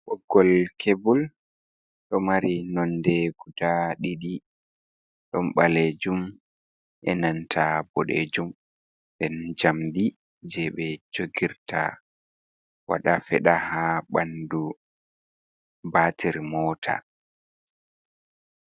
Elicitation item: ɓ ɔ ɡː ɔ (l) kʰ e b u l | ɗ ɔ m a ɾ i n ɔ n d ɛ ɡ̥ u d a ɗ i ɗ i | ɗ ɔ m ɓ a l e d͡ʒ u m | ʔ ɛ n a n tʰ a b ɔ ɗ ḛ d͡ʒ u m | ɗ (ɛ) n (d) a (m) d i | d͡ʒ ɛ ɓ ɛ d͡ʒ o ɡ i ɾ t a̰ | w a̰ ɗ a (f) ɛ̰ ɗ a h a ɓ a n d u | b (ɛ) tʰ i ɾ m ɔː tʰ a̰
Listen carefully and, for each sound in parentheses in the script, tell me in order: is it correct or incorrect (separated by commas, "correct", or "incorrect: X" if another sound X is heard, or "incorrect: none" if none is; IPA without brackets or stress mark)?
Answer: correct, correct, incorrect: d͡ʒ, correct, correct, incorrect: a